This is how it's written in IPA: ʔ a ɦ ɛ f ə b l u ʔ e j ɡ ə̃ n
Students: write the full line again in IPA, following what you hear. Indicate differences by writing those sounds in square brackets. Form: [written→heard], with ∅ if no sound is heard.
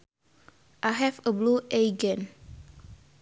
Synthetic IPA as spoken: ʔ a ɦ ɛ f ə b l u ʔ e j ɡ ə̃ n